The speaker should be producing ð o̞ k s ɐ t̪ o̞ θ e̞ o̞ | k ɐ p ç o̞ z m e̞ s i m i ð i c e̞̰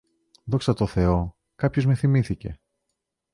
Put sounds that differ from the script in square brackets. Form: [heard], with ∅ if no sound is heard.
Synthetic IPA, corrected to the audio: ð o̞ k s ɐ t̪ o̞ θ e̞ o̞ | k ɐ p ç o̞ z m e̞ [θ] i m i [θ] i c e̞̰